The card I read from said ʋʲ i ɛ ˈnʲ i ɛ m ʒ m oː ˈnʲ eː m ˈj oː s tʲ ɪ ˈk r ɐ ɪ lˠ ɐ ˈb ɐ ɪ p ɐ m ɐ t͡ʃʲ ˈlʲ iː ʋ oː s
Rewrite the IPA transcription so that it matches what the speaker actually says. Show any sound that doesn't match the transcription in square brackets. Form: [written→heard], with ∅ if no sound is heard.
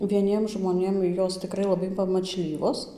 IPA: ʋʲ i ɛ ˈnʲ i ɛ m ʒ m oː ˈnʲ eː m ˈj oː s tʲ ɪ ˈk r ɐ ɪ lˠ ɐ ˈb ɐ ɪ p ɐ m ɐ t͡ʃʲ ˈlʲ iː ʋ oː s

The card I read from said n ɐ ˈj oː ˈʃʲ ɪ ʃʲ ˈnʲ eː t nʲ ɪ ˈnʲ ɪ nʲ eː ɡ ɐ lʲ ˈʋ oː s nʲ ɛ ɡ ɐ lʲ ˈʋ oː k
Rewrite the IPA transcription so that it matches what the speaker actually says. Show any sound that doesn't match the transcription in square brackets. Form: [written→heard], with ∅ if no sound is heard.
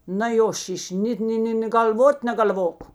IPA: n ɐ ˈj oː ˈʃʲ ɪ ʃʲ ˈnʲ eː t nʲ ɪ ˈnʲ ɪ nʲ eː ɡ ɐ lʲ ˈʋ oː [s→t] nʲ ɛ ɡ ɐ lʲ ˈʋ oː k

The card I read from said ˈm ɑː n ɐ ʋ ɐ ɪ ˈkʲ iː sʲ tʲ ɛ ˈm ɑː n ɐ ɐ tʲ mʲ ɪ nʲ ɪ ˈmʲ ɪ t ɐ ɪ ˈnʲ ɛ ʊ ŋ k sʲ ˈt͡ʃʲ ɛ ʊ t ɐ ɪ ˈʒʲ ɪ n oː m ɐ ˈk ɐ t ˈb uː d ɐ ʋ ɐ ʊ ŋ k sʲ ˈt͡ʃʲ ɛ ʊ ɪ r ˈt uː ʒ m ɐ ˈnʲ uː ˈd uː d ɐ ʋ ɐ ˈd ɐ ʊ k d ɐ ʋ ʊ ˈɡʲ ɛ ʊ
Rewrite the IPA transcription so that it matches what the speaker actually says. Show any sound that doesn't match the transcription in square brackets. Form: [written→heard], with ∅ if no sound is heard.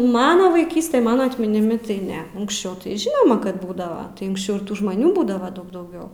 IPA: ˈm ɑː n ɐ ʋ ɐ ɪ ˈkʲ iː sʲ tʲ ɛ ˈm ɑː n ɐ ɐ tʲ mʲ ɪ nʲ ɪ ˈmʲ ɪ t ɐ ɪ ˈnʲ ɛ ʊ ŋ k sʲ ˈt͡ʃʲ ɛ ʊ t ɐ ɪ ˈʒʲ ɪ n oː m ɐ ˈk ɐ t ˈb uː d ɐ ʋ ɐ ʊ ŋ k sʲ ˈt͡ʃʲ ɛ ʊ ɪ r ˈt uː ʒ m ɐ ˈnʲ uː [ˈd→ˈb] uː d ɐ ʋ ɐ ˈd ɐ ʊ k d ɐ [ʋ→∅] ʊ ˈɡʲ ɛ ʊ

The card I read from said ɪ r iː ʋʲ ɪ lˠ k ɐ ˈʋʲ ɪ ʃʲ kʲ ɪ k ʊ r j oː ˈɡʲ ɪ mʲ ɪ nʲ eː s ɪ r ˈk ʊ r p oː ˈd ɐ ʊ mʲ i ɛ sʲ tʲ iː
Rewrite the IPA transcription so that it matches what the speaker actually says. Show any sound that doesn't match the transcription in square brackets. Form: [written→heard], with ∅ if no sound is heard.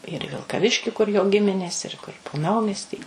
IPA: ɪ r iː ʋʲ ɪ lˠ k ɐ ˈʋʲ ɪ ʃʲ kʲ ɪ k ʊ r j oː ˈɡʲ ɪ mʲ ɪ nʲ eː s ɪ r ˈk ʊ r p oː [ˈd→ˈn] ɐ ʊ mʲ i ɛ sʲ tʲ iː

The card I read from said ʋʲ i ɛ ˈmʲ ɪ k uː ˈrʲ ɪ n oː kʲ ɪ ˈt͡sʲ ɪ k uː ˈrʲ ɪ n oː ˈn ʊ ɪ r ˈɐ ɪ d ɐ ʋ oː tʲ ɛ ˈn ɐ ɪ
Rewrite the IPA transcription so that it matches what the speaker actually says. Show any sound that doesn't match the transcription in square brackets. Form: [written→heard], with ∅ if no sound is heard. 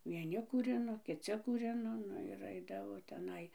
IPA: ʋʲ i ɛ [ˈmʲ→ˈnʲ] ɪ k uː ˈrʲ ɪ n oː kʲ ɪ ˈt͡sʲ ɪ k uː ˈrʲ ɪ n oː ˈn ʊ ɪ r ˈɐ ɪ d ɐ ʋ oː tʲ ɛ ˈn ɐ ɪ

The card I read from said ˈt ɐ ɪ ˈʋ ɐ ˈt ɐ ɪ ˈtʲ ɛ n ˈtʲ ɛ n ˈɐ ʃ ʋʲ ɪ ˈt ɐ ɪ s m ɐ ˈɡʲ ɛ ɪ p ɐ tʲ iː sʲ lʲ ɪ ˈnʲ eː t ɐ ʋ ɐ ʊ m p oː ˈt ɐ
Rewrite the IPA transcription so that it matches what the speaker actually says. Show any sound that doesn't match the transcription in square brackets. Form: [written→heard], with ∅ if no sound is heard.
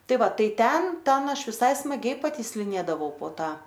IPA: ˈt ɐ ɪ ˈʋ ɐ ˈt ɐ ɪ ˈtʲ ɛ n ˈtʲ ɛ n ˈɐ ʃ ʋʲ ɪ [ˈt→ˈs] ɐ ɪ s m ɐ ˈɡʲ ɛ ɪ p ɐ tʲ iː sʲ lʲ ɪ ˈnʲ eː [t→d] ɐ ʋ ɐ ʊ [m→∅] p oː ˈt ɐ

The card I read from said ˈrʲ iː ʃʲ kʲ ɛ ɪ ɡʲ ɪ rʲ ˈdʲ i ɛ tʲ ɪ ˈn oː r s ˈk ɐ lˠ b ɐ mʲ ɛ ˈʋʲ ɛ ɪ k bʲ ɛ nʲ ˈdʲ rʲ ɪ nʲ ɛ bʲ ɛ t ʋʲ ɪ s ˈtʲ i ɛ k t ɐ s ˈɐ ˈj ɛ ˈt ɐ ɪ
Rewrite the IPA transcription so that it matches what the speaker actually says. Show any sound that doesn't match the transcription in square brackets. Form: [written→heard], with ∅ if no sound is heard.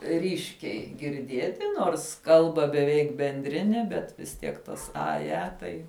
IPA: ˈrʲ iː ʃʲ kʲ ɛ ɪ ɡʲ ɪ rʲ ˈdʲ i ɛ tʲ ɪ ˈn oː r s ˈk ɐ lˠ b ɐ [mʲ→bʲ] ɛ ˈʋʲ ɛ ɪ k bʲ ɛ nʲ ˈdʲ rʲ ɪ nʲ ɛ bʲ ɛ t ʋʲ ɪ s ˈtʲ i ɛ k t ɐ s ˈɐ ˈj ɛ ˈt ɐ ɪ

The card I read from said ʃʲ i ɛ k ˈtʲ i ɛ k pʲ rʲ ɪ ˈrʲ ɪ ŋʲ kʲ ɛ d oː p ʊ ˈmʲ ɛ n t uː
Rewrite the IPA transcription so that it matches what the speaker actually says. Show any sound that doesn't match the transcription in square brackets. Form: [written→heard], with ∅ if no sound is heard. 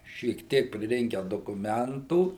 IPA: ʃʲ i ɛ k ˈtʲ i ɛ k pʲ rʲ ɪ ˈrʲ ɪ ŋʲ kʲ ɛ d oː [p→k] ʊ ˈmʲ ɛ n t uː

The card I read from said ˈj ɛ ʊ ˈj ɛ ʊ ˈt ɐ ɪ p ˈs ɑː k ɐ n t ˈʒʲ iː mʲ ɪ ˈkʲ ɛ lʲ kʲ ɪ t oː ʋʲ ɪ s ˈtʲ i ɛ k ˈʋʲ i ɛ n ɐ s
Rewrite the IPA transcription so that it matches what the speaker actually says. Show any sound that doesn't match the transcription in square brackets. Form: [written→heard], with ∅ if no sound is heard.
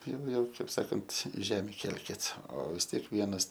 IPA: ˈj ɛ ʊ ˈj ɛ ʊ [ˈt→ˈk] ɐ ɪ p ˈs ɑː k ɐ n t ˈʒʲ [iː→æː] mʲ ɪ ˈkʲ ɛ lʲ kʲ ɪ t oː ʋʲ ɪ s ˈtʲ i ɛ k ˈʋʲ i ɛ n ɐ s

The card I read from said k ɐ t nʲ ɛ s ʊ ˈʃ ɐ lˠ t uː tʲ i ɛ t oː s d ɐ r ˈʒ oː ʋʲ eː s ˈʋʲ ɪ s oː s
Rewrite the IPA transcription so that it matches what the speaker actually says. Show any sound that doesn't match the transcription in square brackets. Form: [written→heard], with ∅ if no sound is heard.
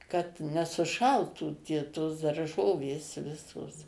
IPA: k ɐ t nʲ ɛ s ʊ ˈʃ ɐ lˠ t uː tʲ i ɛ t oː s d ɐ r ˈʒ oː ʋʲ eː s ˈʋʲ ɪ s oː s

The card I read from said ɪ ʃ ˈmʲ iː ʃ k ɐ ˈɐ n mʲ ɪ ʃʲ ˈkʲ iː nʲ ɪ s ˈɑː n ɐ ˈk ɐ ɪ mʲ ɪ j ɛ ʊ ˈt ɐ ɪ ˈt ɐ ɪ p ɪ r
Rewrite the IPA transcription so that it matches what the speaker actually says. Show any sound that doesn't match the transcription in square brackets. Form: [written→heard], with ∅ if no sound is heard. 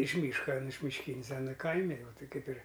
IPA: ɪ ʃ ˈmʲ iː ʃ k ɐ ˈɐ n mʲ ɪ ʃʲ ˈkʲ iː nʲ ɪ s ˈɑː n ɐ ˈk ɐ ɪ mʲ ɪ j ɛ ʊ ˈt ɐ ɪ [ˈt→ˈk] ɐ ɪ p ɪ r

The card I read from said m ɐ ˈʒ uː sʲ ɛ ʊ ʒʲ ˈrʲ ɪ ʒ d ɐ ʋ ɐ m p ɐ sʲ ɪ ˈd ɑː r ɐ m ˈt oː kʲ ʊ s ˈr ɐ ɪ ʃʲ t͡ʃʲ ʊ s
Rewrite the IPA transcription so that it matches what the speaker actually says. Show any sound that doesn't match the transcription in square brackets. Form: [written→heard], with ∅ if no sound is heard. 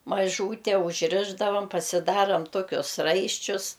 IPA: m ɐ ˈʒ uː [sʲ→tʲ] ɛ ʊ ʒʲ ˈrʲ ɪ ʒ d ɐ ʋ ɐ m p ɐ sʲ ɪ ˈd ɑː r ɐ m ˈt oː kʲ ʊ s ˈr ɐ ɪ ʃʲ t͡ʃʲ ʊ s

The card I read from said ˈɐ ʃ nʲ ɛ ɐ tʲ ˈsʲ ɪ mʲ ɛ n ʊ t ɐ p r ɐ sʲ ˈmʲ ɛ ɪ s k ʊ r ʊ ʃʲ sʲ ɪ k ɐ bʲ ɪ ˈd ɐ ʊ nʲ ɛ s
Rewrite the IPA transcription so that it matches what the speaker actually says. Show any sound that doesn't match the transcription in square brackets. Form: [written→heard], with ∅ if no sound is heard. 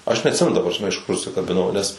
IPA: ˈɐ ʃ nʲ ɛ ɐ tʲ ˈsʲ ɪ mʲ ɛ n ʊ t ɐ p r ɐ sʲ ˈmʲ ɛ ɪ [s→ʃ] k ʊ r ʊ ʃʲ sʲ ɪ k ɐ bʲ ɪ [ˈd→ˈn] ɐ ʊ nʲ ɛ s

